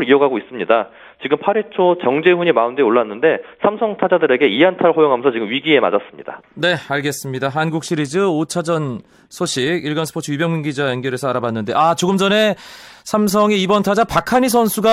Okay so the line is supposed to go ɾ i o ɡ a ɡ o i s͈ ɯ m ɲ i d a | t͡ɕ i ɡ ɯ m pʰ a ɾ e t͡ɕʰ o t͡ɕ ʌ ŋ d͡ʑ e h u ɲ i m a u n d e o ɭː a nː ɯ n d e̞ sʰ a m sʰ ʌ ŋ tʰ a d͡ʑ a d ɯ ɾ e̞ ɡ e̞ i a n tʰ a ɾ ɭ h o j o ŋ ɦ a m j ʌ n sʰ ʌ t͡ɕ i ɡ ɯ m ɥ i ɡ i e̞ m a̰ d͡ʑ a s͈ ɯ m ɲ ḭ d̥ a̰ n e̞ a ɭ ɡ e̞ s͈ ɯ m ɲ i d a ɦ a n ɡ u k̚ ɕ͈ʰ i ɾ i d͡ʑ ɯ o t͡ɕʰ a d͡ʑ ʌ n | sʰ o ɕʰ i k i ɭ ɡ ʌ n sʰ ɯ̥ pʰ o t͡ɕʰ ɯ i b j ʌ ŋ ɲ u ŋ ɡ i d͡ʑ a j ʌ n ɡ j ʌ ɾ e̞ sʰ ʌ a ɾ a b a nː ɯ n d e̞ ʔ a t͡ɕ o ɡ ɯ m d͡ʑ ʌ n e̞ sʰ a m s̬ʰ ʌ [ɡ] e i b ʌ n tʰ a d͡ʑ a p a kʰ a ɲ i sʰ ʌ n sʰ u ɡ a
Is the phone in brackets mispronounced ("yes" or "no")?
yes